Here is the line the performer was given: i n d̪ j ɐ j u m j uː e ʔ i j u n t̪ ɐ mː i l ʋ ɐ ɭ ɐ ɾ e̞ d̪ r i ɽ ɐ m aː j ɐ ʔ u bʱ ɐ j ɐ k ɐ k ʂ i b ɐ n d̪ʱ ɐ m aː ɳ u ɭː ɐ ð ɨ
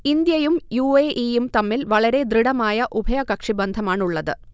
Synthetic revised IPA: i n d̪ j ɐ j u m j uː e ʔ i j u m t̪ ɐ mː i l ʋ ɐ ɭ ɐ ɾ e̞ d̪ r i ɽ ɐ m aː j ɐ ʔ u bʱ ɐ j ɐ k ɐ k ʂ i b ɐ n d̪ʱ ɐ m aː ɳ u ɭː ɐ ð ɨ